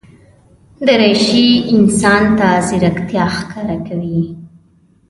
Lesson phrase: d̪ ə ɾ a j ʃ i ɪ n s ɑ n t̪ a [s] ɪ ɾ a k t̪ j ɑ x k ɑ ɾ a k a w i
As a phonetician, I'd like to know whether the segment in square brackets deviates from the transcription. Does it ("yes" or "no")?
yes